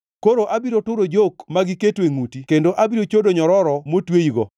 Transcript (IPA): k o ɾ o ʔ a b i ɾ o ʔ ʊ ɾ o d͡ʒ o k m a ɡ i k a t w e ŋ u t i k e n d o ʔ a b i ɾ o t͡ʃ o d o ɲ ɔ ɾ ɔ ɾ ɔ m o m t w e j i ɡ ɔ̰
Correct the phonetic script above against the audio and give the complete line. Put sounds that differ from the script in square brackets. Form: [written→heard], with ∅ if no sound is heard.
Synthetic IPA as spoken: k o ɾ o ʔ a b i ɾ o [ʔ→t] ʊ ɾ o d͡ʒ o k m a ɡ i k [a→e] t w e ŋ u t i k e n d o ʔ a b i ɾ o t͡ʃ o d o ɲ ɔ ɾ ɔ ɾ ɔ m o [m→∅] t w e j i ɡ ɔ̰